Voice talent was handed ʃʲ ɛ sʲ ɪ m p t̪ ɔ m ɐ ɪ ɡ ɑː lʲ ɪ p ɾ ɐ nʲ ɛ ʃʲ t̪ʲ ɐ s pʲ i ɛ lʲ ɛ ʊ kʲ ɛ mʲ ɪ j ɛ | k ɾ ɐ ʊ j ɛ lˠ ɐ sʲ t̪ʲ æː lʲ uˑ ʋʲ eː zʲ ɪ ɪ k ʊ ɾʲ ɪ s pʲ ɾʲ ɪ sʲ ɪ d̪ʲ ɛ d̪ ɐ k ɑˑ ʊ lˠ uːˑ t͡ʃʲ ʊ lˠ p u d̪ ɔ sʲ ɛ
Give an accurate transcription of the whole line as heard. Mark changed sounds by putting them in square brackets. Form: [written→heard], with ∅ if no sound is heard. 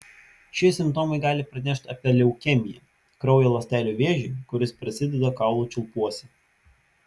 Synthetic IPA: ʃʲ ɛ sʲ ɪ m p t̪ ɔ m ɐ ɪ ɡ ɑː lʲ ɪ p ɾ ɐ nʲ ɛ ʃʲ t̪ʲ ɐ [s→∅] pʲ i ɛ lʲ ɛ ʊ kʲ ɛ mʲ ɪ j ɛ | k ɾ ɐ ʊ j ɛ lˠ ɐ sʲ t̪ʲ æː lʲ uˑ ʋʲ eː [zʲ→ʒʲ] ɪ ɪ k ʊ ɾʲ ɪ s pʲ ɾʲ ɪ sʲ ɪ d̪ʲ ɛ d̪ ɐ k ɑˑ ʊ lˠ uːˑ t͡ʃʲ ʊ lˠ p u [d̪→∅] ɔ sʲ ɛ